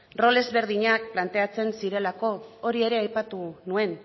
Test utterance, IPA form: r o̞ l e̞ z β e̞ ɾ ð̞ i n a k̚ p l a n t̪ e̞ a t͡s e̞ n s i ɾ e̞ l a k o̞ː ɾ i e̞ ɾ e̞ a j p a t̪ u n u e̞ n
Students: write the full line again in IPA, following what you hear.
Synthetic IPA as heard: r o̞ l e̞ z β e̞ ɾ ð̞ i ɲ a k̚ p l a n t̪ e̞ a t͡s e̞ n s i ɾ e̞ l a k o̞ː ɾ i e̞ ɾ e̞ a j p a t̪ u n u e̞ n